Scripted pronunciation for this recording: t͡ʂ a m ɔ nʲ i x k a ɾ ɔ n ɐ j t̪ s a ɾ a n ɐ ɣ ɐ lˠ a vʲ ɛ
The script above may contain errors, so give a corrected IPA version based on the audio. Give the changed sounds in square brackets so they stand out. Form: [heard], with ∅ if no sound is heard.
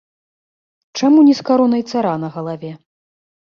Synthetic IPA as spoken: t͡ʂ a m [u] nʲ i [s] k a ɾ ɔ n ɐ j t̪ s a ɾ a n ɐ ɣ ɐ lˠ a vʲ ɛ

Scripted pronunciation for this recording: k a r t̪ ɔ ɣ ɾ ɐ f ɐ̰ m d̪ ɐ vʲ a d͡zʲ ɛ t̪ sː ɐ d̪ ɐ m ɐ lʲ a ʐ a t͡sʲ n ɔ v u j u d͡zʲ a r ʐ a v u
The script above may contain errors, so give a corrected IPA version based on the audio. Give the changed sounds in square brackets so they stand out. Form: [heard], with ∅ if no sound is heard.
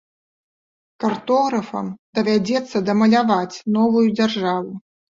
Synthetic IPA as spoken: k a r t̪ ɔ ɣ ɾ ɐ f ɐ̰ m d̪ ɐ vʲ a d͡zʲ ɛ t̪ sː ɐ d̪ ɐ m ɐ lʲ a [v] a t͡sʲ n ɔ v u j u d͡zʲ a r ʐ a v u

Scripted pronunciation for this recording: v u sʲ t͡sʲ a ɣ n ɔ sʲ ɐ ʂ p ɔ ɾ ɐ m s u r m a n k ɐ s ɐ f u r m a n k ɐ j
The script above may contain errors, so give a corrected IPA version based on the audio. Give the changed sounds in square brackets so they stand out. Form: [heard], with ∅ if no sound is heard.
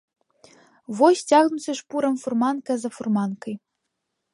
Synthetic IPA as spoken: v [ɔ] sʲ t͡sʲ a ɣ n [u] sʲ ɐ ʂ p [u] ɾ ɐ m [f] u r m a n k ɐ [z] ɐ f u r m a n k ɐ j

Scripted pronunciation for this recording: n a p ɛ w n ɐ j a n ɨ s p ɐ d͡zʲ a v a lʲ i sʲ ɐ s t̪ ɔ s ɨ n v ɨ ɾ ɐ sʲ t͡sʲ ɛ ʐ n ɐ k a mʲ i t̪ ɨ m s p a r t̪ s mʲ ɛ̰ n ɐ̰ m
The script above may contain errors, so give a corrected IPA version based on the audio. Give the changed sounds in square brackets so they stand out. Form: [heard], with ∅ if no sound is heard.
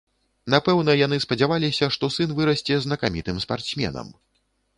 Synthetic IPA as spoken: n a p ɛ w n ɐ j a n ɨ s p ɐ d͡zʲ a v a lʲ i sʲ ɐ [ʂ] t̪ ɔ s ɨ n v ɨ ɾ ɐ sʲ t͡sʲ ɛ [z] n ɐ k a mʲ i t̪ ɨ m s p a r t̪ s mʲ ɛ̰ n ɐ̰ m

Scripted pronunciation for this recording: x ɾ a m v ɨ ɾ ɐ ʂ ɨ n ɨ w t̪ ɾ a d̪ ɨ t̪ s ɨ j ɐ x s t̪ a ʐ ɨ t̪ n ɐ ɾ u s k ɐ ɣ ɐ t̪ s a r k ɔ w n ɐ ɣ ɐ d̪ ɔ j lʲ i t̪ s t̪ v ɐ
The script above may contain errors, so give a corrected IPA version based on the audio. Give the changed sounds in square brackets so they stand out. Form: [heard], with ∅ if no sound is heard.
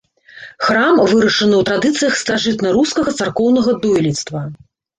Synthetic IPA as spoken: x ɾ a m v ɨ ɾ ɐ ʂ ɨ n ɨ w t̪ ɾ a d̪ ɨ t̪ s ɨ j ɐ x s t̪ a ʐ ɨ t̪ n ɐ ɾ u s k ɐ ɣ ɐ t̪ s a r k ɔ w n ɐ ɣ ɐ d̪ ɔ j lʲ i t̪ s t̪ v ɐ

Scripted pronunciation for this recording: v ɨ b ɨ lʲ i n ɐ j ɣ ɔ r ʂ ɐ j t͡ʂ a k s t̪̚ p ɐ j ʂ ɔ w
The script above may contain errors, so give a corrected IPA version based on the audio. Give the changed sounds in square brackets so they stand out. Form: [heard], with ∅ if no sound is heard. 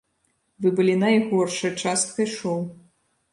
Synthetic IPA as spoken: v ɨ b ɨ lʲ i n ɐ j ɣ ɔ r ʂ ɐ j t͡ʂ a [∅] s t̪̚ [k] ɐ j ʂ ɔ w

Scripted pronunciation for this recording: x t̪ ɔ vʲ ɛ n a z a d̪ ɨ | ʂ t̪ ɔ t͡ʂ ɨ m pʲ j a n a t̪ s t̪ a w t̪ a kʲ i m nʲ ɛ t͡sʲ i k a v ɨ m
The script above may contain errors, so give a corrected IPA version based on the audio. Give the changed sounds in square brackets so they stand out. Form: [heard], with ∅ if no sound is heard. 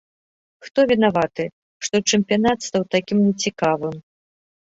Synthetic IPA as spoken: x t̪ ɔ vʲ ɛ n a [v] a [t̪] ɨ | ʂ t̪ ɔ t͡ʂ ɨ m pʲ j a n a t̪ s t̪ a w t̪ a kʲ i m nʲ ɛ t͡sʲ i k a v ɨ m

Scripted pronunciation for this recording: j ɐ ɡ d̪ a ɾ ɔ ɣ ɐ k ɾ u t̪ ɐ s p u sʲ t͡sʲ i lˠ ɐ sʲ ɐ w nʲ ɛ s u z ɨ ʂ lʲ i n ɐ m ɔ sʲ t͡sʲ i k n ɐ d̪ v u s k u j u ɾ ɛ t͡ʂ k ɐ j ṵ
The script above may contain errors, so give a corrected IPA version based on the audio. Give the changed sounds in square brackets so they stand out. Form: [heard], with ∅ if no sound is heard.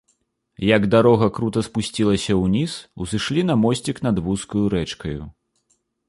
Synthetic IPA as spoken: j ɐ ɡ d̪ a ɾ ɔ ɣ ɐ k ɾ u t̪ ɐ s p u sʲ t͡sʲ i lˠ ɐ sʲ ɐ w nʲ [i] s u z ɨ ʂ lʲ i n ɐ m ɔ sʲ t͡sʲ i k n ɐ d̪ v u s k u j u ɾ ɛ t͡ʂ k ɐ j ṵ

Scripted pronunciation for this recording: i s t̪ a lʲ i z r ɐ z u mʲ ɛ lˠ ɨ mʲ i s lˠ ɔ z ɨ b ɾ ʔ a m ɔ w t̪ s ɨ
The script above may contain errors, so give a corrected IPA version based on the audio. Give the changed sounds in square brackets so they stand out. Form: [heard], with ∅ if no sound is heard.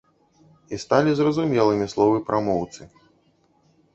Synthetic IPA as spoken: i s t̪ a lʲ i z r ɐ z u mʲ ɛ lˠ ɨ mʲ i s lˠ ɔ [v] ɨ [p] ɾ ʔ a m ɔ w t̪ s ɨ

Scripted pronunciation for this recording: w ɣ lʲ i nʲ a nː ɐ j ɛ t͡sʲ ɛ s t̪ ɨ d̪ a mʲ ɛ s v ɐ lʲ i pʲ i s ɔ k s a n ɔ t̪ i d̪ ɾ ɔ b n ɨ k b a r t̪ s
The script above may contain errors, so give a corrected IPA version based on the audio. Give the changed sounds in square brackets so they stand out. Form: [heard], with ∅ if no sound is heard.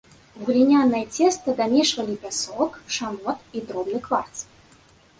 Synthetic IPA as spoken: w ɣ lʲ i nʲ a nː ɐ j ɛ t͡sʲ ɛ s t̪ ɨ d̪ a mʲ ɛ [ʂ] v ɐ lʲ i pʲ [a] s ɔ k [ʂ] a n ɔ t̪ i d̪ ɾ ɔ b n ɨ k [v] a r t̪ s

